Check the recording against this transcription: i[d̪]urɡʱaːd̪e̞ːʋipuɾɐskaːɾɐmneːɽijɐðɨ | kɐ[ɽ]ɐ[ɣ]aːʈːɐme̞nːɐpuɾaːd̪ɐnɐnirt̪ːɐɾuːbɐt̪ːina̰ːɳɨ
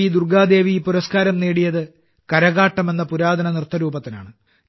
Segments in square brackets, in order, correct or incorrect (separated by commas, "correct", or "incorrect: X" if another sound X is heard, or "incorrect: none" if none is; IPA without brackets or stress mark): correct, incorrect: ɾ, correct